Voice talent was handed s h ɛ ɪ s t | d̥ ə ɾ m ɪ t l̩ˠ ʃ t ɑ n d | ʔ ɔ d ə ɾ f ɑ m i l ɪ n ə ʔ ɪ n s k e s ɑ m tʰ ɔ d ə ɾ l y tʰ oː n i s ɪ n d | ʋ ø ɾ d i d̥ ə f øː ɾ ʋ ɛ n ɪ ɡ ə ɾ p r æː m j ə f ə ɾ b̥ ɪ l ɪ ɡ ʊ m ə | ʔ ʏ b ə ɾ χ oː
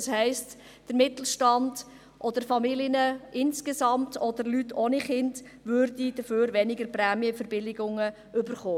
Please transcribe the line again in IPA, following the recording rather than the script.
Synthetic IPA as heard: s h ɛ ɪ s t | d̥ ə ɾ m ɪ t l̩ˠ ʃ t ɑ n d | ʔ ɔ d ə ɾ f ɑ m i l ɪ n ə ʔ ɪ n s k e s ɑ m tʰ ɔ d ə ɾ l y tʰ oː n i χ ɪ n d | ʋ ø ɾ d i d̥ ə f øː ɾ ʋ ɛ n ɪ ɡ ə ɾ p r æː m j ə f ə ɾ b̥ ɪ l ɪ ɡ ʊ ŋ ə | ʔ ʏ b ə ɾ χ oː